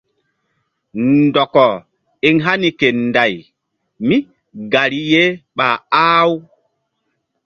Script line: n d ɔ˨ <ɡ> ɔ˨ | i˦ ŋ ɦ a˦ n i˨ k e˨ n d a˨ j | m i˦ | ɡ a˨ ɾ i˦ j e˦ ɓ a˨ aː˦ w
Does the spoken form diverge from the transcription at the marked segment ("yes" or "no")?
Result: yes